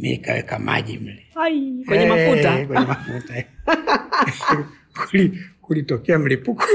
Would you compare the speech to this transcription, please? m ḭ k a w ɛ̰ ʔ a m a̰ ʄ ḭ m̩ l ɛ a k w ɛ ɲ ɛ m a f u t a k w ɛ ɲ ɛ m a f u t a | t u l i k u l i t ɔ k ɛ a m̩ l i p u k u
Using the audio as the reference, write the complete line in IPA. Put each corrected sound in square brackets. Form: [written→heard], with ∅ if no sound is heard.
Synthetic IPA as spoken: m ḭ k a w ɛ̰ [ʔ→k] a m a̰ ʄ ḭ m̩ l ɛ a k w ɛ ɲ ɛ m a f u t a k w ɛ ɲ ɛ m a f u t a | [t→k] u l i k u l i t ɔ k ɛ a m̩ l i p u k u